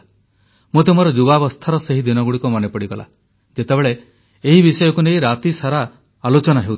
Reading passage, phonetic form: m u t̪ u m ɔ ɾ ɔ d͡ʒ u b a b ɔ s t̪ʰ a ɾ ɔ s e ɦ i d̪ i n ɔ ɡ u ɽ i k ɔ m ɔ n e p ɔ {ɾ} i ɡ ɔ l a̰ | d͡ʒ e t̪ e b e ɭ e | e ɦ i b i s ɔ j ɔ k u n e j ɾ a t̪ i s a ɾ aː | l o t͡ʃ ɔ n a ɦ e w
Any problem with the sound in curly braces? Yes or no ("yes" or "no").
yes